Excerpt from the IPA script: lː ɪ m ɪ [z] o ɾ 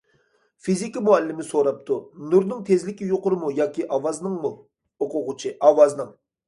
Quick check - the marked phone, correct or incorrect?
incorrect